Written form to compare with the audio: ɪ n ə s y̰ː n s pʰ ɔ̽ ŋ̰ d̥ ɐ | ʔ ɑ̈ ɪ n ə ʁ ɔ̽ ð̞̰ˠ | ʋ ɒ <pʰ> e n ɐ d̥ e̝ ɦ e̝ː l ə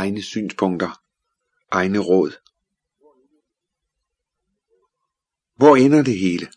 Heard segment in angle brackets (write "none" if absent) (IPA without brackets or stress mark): none